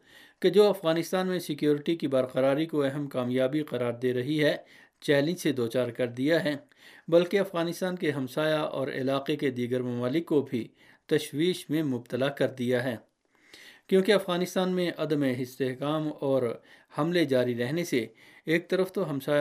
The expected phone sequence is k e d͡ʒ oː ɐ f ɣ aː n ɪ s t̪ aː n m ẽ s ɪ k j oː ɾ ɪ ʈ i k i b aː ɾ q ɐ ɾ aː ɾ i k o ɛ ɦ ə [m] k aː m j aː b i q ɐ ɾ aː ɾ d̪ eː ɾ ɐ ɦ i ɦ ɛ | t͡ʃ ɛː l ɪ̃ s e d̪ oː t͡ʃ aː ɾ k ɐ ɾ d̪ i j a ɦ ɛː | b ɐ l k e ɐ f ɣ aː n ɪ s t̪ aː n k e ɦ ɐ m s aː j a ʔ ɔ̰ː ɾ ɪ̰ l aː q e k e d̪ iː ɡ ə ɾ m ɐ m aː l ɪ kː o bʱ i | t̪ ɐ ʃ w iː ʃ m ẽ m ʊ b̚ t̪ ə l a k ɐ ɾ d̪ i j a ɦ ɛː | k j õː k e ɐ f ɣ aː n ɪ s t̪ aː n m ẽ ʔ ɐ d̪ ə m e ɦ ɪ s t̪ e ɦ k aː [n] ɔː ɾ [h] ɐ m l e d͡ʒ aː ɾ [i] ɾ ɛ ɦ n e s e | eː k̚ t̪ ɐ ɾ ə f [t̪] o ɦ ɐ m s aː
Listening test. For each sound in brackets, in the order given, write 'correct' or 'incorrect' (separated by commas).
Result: correct, incorrect, correct, correct, correct